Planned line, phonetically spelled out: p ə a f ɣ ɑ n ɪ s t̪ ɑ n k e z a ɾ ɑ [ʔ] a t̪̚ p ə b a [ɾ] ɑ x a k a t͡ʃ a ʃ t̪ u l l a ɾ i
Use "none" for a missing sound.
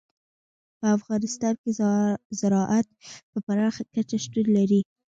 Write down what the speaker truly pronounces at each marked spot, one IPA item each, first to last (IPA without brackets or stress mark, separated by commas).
ʔ, ɾ